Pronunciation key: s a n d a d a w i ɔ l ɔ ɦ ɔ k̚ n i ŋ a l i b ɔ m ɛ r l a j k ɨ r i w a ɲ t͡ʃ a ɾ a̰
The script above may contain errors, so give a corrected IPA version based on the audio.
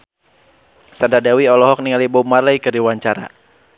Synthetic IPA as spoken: s a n d a d a w i ɔ l ɔ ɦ ɔ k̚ n i ŋ a l i b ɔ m a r l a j k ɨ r i w a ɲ t͡ʃ a ɾ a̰